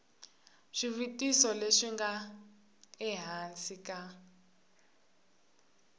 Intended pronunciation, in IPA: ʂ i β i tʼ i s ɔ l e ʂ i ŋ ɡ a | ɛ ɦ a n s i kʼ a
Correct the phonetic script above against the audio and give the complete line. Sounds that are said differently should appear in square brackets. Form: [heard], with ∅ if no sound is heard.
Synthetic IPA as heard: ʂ i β i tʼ i s ɔ l e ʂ i ŋ ɡ a | ɛ ɦ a n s i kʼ a